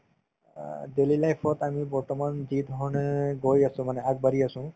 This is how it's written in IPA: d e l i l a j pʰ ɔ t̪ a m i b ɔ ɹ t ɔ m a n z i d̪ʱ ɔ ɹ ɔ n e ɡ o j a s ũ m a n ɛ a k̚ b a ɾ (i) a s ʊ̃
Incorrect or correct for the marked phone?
correct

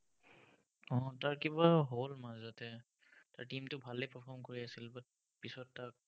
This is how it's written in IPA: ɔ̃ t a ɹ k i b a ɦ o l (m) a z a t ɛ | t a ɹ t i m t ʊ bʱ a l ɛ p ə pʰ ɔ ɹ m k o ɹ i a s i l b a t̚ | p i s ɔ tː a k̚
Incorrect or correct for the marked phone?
correct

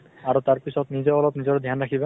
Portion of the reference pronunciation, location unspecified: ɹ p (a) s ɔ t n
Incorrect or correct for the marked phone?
incorrect: i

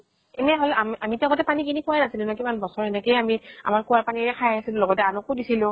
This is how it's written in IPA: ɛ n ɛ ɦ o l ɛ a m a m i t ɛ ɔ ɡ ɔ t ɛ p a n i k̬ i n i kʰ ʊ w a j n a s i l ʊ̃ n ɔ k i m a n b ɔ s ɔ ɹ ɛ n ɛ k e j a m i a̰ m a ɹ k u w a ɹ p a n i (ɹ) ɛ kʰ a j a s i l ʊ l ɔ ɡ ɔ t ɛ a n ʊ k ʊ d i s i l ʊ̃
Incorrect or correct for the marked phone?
correct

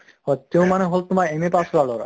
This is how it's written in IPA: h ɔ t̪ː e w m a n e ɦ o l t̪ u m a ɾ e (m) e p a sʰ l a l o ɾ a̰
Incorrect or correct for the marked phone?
correct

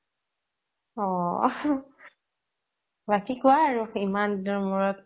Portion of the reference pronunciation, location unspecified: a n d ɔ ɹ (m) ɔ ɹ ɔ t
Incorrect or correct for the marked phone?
correct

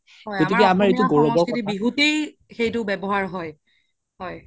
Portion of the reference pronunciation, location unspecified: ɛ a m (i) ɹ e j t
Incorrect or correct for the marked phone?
incorrect: a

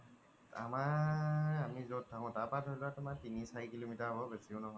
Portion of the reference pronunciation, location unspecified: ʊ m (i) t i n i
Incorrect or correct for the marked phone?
incorrect: a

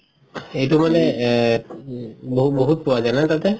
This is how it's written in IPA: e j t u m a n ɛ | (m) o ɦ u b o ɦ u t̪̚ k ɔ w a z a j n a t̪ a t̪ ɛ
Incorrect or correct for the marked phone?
incorrect: b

